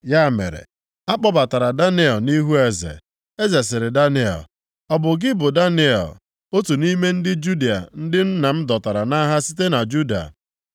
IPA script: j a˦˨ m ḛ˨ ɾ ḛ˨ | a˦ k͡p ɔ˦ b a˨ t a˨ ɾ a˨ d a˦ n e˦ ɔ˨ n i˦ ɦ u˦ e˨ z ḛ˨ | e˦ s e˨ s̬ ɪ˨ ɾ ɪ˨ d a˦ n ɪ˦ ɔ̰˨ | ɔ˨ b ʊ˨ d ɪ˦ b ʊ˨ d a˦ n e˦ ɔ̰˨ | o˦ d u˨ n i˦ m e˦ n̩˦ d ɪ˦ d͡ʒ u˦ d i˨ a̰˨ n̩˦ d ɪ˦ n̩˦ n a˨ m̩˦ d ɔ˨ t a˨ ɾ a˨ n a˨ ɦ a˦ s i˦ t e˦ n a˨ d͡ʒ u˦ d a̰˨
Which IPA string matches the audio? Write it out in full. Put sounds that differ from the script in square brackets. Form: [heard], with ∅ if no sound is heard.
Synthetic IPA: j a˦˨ m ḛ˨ ɾ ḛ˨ | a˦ k͡p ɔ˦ b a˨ t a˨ ɾ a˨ d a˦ n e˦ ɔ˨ n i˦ ɦ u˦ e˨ z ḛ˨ | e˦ [z] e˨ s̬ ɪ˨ ɾ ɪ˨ d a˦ n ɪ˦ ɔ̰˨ | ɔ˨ b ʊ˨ [ɡ] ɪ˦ b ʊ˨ d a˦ n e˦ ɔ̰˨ | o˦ [t] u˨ n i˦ m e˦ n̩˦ d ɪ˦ d͡ʒ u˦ d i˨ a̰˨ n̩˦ d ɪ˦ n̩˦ n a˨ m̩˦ d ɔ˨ t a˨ ɾ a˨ n [a˦] ɦ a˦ s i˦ t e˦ n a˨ d͡ʒ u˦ d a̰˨

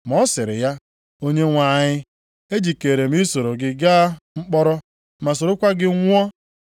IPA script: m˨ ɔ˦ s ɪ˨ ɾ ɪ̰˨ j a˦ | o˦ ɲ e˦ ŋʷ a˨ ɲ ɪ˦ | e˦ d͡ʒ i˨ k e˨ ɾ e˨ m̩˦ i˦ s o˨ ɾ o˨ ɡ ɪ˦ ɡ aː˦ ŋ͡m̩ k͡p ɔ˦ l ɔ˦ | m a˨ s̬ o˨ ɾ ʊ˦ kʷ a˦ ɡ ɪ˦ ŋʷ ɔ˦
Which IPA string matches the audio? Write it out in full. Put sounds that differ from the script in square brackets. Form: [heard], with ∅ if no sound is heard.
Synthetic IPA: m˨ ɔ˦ s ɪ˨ ɾ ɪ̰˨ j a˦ | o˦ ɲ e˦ ŋʷ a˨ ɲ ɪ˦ | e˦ d͡ʒ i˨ k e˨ ɾ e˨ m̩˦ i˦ s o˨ ɾ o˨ ɡ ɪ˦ ɡ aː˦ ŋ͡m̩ k͡p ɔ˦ [ɾ] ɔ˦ | m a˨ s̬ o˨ ɾ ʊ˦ kʷ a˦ ɡ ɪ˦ ŋʷ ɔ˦

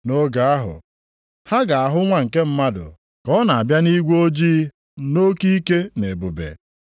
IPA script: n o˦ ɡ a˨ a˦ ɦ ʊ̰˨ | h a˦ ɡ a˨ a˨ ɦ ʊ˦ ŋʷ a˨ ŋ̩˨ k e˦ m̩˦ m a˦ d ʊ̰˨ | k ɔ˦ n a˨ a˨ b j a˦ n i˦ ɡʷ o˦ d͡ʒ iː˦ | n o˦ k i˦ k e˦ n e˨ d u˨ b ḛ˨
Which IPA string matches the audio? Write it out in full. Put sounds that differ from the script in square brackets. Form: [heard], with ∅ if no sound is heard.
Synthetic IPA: n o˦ ɡ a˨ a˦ ɦ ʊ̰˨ | h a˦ ɡ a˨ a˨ ɦ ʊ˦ ŋʷ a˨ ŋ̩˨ k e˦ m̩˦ m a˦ d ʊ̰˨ | k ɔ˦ n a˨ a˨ b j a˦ n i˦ ɡʷ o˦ d͡ʒ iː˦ | n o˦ k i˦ k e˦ n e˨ [b] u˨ b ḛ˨

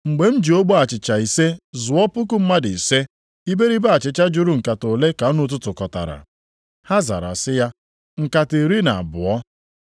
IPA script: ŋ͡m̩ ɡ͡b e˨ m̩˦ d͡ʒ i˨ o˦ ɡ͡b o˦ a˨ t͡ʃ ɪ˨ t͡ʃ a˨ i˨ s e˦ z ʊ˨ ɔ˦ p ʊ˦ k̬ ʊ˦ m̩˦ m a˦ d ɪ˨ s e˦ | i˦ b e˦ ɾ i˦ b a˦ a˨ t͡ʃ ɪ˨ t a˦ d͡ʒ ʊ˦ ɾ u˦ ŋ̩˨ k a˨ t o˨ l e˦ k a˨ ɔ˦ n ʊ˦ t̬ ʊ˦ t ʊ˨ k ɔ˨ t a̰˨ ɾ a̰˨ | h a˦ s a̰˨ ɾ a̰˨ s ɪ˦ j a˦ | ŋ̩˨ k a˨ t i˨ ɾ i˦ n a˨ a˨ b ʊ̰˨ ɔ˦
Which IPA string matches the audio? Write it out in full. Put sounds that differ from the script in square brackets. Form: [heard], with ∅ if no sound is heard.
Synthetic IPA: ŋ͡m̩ ɡ͡b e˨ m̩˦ d͡ʒ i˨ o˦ ɡ͡b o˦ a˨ t͡ʃ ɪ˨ t͡ʃ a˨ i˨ s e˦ z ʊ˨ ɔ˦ p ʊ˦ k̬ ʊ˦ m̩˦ m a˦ d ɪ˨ s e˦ | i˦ b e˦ ɾ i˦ b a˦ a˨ t͡ʃ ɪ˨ [t͡ʃ] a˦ d͡ʒ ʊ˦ ɾ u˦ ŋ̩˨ k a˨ t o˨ l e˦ k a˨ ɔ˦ n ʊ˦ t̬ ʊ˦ t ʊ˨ k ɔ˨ t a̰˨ ɾ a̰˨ | h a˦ [z] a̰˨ ɾ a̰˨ s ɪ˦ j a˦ | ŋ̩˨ k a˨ t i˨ ɾ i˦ n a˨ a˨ b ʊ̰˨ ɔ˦

